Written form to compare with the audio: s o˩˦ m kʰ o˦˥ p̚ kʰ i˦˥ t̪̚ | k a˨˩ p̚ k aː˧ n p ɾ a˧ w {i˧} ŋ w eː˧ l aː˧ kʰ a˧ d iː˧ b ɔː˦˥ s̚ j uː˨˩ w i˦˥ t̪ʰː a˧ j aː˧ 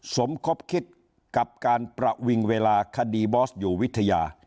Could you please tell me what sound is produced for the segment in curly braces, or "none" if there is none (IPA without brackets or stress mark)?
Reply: i˧